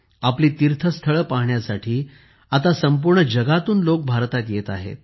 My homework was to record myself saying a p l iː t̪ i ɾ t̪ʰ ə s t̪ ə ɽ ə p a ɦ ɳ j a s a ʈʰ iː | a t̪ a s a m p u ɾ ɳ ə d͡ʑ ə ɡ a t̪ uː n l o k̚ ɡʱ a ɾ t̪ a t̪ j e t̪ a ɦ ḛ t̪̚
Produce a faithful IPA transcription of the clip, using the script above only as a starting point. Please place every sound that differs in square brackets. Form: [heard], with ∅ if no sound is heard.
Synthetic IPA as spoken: a p l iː t̪ i ɾ t̪ʰ ə s [t̪ʰ] ə [ɭ] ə p a ɦ ɳ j a s a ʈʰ iː | a t̪ a s [ə] m p u ɾ ɳ ə d͡ʑ ə ɡ a t̪ uː n l o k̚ [bʱ] a ɾ t̪ a t̪ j e t̪ a ɦ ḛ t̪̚